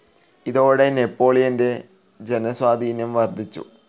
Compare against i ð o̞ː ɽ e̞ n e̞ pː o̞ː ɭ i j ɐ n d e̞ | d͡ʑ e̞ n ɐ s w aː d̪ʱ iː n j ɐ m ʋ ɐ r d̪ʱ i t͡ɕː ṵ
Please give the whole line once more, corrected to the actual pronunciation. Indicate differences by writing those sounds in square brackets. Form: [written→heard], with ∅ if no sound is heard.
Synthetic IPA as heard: i ð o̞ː ɽ e̞ n e̞ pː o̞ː ɭ i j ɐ n d e̞ | d͡ʑ e̞ n ɐ s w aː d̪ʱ iː n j ɐ m ʋ ɐ r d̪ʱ i t͡ɕː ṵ